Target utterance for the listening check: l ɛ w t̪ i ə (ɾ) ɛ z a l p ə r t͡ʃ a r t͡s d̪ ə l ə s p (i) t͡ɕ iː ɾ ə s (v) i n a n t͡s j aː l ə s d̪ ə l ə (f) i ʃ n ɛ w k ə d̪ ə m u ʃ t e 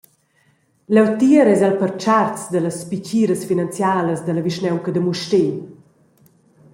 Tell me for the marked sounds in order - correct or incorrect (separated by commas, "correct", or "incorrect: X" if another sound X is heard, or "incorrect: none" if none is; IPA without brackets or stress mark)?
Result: correct, correct, incorrect: f, incorrect: v